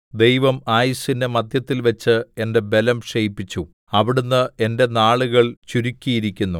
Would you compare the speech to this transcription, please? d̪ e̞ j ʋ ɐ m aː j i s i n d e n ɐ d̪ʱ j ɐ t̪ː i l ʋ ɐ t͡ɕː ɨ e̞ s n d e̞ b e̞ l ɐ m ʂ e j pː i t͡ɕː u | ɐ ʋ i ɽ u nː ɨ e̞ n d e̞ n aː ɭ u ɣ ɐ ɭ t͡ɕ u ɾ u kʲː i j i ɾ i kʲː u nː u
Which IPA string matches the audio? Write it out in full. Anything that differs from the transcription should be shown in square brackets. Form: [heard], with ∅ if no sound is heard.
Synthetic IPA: d̪ e̞ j ʋ ɐ m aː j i s i n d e [m] ɐ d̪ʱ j ɐ t̪ː i l ʋ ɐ t͡ɕː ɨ e̞ [∅] n d e̞ b e̞ l ɐ m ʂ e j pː i t͡ɕː u | ɐ ʋ i ɽ u nː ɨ e̞ n d e̞ n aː ɭ u ɣ ɐ ɭ t͡ɕ u ɾ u kʲː i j i ɾ i kʲː u nː u